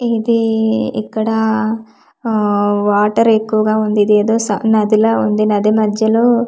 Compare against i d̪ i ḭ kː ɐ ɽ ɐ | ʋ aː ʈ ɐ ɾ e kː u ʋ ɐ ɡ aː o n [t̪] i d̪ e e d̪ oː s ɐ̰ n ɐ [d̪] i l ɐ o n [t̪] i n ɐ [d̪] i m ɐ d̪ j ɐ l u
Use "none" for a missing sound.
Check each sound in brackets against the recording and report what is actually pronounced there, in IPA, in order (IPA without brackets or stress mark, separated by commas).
d̪, d̪, d̪, d̪